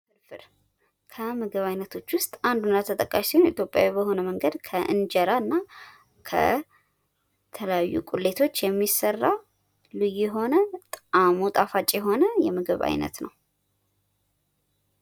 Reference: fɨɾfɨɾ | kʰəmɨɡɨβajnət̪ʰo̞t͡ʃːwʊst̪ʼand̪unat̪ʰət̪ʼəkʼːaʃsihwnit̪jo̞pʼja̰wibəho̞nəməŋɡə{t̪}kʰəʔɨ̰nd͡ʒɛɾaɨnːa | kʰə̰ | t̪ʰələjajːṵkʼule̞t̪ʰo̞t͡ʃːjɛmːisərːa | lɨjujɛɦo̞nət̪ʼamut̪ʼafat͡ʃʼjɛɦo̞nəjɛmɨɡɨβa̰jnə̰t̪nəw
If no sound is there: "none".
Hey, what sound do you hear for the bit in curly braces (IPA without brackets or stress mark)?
d̪